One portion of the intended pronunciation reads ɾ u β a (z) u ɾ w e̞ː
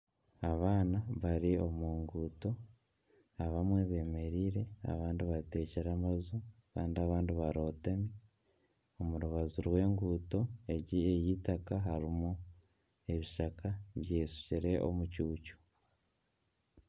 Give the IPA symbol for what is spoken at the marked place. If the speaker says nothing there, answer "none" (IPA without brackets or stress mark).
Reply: z